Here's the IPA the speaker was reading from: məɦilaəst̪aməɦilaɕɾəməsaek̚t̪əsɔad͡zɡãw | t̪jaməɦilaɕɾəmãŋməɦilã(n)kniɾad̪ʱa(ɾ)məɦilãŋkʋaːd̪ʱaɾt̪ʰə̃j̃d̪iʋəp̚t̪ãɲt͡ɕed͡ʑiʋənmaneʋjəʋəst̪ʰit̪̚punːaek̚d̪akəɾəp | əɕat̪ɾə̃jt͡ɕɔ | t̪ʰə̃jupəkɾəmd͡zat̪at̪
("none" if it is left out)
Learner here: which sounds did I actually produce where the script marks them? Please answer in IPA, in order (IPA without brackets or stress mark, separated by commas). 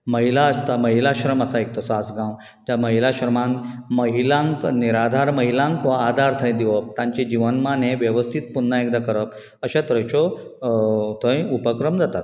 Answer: ŋ, ɾ